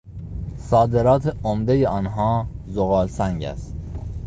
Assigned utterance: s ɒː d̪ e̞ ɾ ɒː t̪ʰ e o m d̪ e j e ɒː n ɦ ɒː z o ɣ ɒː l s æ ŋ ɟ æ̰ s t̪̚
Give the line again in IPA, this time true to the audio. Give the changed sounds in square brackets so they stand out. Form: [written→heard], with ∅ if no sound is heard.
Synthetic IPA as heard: s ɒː d̪ e̞ ɾ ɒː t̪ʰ e o m d̪ e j e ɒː n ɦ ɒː z o ɣ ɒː l s æ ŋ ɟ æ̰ s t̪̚

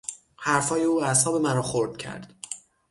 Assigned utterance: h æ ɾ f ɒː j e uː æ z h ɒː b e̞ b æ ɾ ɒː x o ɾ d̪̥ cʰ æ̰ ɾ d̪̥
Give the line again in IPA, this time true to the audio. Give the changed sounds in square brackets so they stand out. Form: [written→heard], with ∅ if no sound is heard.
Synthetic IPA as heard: h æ ɾ f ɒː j e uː æ [z→s] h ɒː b e̞ [b→m] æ ɾ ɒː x o ɾ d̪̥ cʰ æ̰ ɾ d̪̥

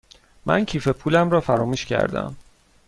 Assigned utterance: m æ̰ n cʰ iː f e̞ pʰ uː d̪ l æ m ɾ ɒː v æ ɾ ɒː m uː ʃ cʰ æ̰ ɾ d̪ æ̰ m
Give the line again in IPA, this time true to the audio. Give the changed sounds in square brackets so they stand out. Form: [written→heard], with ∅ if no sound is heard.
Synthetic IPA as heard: m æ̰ n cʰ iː f e̞ pʰ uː [d̪→∅] l æ m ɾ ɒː [v→f] æ ɾ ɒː m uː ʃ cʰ æ̰ ɾ d̪ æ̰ m

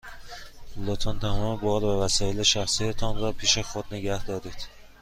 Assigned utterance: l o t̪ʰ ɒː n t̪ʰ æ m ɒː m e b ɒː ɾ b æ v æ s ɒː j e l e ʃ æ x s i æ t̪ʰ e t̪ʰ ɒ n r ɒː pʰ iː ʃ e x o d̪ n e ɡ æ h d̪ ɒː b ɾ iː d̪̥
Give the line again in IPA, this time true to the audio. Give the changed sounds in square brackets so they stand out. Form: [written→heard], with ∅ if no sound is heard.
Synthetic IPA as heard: l o t̪ʰ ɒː n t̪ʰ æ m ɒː m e b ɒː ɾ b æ v æ s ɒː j e l e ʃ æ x s i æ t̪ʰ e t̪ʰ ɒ n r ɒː pʰ iː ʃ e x o d̪ n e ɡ æ h d̪ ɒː [b→∅] ɾ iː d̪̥

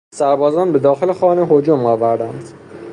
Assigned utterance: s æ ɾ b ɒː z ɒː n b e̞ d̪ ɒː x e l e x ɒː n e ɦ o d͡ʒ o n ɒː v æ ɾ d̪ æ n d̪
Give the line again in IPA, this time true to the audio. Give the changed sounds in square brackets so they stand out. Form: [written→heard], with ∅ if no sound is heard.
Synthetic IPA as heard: s æ ɾ b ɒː z ɒː n b e̞ d̪ ɒː x e l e x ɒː n e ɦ o d͡ʒ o [n→m] ɒː v æ ɾ d̪ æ n d̪

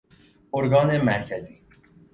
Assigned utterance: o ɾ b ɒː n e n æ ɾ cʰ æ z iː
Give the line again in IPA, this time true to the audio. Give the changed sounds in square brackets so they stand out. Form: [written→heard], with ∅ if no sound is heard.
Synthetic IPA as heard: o ɾ [b→ɡ] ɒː n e [n→m] æ ɾ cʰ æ z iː

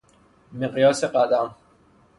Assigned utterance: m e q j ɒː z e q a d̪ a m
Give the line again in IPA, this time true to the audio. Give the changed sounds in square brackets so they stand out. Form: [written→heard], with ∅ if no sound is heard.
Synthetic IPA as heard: m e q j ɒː [z→s] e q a d̪ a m

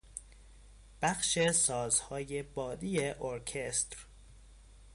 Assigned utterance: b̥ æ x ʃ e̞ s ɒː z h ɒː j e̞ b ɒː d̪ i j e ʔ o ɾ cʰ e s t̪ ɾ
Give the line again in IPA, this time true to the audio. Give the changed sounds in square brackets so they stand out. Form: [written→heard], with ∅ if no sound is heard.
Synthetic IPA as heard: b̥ æ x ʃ e̞ s ɒː z h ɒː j e̞ b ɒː d̪ i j e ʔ o ɾ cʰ e s t̪ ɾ

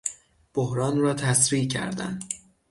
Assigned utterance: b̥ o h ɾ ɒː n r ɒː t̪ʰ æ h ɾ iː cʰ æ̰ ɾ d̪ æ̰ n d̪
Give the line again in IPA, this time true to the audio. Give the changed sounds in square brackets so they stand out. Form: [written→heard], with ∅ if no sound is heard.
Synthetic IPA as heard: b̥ o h ɾ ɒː n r ɒː t̪ʰ æ [h→s] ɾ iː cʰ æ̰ ɾ d̪ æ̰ n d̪

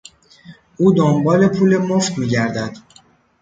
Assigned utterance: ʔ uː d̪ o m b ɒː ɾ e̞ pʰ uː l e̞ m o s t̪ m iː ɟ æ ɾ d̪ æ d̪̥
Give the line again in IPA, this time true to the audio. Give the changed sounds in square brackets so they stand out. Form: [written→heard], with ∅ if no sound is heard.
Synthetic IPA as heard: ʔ uː d̪ o m b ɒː [ɾ→l] e̞ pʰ uː l e̞ m o [s→f] t̪ m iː ɟ æ ɾ d̪ æ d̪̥

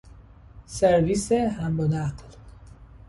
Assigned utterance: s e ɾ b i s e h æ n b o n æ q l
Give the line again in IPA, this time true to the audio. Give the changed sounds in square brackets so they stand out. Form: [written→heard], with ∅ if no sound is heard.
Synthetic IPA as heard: s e ɾ [b→v] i s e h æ [n→m] b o n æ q l

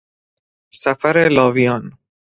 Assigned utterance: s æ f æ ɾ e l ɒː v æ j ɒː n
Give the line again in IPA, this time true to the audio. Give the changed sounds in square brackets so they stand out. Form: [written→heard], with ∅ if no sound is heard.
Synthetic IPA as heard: s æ f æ ɾ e l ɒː v [æ→i] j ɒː n

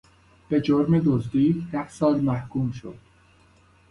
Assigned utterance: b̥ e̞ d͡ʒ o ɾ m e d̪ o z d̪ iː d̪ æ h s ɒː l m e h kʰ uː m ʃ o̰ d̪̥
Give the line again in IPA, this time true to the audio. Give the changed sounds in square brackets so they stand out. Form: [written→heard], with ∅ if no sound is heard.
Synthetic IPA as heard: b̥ e̞ d͡ʒ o ɾ m e d̪ o z d̪ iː d̪ æ h s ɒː l m [e→æ] h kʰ uː m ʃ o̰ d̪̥

